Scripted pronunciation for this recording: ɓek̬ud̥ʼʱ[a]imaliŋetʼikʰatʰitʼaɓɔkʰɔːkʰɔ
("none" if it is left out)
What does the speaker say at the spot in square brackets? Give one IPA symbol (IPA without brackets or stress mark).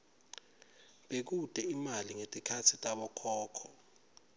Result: ɛ